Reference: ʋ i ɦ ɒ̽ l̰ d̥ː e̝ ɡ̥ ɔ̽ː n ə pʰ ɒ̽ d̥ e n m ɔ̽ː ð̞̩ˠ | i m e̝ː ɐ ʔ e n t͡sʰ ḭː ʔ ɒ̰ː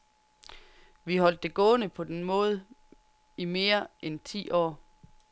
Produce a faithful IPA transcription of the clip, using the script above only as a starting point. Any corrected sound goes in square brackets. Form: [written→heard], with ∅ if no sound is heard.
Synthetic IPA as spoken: ʋ i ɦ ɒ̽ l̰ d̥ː e̝ ɡ̥ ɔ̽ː n ə pʰ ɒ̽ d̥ e n m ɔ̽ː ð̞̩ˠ | i m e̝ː ɐ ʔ e n t͡sʰ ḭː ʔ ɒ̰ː